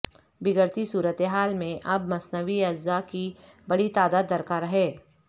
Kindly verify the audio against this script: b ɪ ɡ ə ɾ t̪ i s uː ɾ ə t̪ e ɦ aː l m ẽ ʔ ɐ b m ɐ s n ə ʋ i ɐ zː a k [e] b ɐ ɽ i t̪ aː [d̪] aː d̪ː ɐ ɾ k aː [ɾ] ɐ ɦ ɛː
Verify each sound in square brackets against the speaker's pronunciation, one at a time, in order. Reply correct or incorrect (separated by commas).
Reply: incorrect, correct, correct